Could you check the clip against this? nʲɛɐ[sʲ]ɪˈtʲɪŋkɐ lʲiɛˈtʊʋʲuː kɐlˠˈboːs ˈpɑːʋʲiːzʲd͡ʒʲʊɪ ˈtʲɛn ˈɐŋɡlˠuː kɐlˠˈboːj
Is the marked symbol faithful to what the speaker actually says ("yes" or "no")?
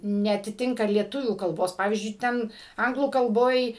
no